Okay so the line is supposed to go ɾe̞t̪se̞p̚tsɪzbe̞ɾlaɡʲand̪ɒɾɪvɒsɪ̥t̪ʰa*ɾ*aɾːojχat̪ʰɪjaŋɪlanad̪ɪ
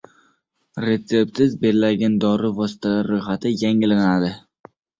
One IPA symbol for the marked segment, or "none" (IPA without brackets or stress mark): l